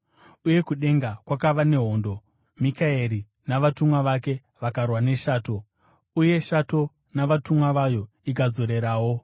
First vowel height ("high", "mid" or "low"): high